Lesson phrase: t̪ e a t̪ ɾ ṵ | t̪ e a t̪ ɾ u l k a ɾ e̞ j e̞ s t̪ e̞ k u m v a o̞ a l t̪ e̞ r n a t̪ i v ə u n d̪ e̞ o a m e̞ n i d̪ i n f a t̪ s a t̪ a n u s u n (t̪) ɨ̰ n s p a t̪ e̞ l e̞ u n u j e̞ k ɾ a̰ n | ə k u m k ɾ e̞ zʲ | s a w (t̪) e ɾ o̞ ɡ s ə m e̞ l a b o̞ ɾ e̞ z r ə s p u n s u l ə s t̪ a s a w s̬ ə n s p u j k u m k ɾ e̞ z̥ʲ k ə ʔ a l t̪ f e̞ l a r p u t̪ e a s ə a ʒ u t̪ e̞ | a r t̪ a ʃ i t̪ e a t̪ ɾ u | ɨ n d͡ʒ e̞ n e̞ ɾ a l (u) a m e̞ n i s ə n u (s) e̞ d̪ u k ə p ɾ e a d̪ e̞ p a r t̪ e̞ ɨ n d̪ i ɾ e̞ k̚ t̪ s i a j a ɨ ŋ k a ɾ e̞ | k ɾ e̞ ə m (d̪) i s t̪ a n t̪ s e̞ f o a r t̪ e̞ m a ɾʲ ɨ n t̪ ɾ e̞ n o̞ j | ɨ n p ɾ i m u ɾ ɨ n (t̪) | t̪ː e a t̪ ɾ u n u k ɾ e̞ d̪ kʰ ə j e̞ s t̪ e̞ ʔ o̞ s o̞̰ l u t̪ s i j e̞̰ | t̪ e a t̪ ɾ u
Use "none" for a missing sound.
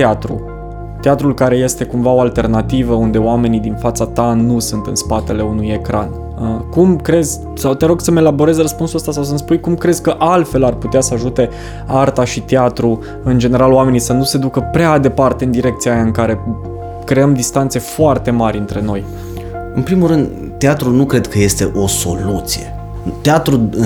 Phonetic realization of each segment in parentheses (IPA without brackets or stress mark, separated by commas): t̪, t̪, o, s, d̪, d̪